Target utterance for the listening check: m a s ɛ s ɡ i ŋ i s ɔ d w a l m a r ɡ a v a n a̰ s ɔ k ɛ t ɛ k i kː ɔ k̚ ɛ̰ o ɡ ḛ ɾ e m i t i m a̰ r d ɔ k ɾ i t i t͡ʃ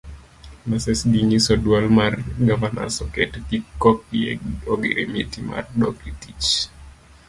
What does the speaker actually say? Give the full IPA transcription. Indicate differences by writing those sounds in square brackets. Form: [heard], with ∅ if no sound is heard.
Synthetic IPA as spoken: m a s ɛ s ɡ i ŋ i s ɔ d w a l m a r ɡ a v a n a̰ s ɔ k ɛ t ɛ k i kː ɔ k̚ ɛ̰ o ɡ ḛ ɾ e m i t i m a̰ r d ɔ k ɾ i t i t͡ʃ